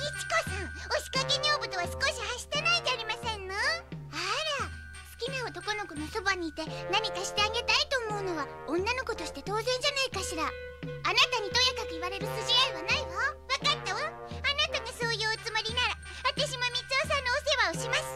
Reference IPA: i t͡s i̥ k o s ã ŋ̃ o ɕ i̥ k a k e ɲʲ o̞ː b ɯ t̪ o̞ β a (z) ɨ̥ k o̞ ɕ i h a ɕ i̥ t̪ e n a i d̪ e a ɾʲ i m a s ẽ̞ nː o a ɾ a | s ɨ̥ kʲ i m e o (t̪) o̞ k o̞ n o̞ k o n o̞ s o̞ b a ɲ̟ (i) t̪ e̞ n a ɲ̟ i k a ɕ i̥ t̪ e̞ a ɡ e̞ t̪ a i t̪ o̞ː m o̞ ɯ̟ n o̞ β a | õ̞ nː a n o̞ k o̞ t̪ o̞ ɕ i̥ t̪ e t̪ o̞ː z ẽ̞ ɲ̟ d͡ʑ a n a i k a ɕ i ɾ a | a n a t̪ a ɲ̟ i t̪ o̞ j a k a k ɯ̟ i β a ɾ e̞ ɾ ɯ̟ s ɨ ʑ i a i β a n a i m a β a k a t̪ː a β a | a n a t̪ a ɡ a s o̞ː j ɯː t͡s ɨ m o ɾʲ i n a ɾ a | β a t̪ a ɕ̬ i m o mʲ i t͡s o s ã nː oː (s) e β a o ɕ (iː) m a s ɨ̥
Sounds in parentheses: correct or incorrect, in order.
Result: incorrect: s, correct, incorrect: iː, correct, incorrect: i

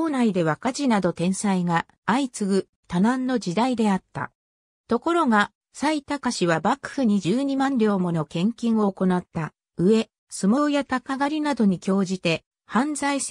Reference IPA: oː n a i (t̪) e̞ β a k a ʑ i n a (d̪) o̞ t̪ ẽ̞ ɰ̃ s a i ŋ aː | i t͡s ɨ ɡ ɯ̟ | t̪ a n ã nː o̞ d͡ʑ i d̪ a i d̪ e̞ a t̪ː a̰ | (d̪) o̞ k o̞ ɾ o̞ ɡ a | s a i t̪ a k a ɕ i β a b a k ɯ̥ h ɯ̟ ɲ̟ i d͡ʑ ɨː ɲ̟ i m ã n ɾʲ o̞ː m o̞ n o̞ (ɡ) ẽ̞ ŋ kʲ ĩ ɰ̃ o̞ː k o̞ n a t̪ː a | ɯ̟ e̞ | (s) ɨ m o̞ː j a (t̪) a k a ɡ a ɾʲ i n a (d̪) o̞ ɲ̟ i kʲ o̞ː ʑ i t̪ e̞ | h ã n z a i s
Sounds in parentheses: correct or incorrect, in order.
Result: incorrect: d̪, correct, incorrect: t̪, incorrect: k, correct, correct, correct

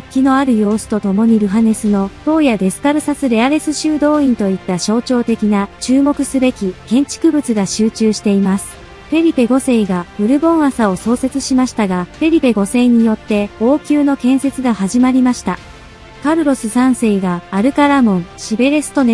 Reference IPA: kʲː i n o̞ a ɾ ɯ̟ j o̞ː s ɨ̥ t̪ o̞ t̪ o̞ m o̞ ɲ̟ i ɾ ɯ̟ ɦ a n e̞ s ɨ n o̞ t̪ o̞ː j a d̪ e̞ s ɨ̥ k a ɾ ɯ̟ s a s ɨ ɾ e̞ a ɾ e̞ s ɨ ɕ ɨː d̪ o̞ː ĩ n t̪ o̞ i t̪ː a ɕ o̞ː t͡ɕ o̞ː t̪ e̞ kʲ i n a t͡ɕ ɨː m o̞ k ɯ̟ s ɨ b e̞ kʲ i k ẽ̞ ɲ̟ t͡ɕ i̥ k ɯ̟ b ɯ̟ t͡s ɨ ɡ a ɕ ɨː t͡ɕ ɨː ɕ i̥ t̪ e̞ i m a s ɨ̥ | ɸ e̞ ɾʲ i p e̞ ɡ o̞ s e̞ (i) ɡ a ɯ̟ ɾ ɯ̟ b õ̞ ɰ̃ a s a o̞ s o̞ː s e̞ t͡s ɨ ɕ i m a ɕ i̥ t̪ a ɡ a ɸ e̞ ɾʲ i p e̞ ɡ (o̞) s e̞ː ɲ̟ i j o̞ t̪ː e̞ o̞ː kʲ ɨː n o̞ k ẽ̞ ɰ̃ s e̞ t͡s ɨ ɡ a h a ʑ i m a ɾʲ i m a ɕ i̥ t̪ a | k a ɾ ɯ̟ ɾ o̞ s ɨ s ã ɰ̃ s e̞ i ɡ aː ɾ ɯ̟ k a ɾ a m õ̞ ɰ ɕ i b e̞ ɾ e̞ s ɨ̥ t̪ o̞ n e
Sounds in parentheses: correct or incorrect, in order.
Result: correct, correct

